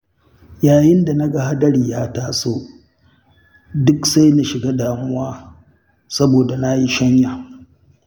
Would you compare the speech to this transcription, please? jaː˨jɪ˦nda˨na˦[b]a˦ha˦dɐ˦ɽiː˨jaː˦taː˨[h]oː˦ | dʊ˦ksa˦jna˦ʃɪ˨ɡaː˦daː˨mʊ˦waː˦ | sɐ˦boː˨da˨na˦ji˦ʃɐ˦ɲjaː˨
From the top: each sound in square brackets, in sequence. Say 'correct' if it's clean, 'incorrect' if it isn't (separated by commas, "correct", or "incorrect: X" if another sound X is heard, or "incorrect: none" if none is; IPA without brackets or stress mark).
incorrect: ɡ, incorrect: s